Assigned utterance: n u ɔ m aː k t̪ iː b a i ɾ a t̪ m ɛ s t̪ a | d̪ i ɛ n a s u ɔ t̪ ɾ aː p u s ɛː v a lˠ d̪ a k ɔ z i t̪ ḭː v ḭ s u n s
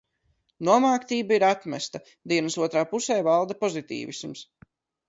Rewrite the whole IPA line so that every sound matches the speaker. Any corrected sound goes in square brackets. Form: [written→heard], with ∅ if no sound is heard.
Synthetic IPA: n u ɔ m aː k t̪ iː b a i ɾ a t̪ m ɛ s t̪ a | d̪ i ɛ n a s u ɔ t̪ ɾ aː p u s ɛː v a lˠ d̪ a [k→p] ɔ z i t̪ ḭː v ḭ s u [n→m] s